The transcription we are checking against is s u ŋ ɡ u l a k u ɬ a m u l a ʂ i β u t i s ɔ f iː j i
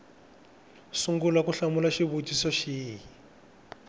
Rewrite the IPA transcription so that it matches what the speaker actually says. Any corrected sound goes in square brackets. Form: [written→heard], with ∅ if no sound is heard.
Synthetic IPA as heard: s u ŋ ɡ u l a k u ɬ a m u l a [ʂ→ʃ] i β u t i s ɔ [f→ʃ] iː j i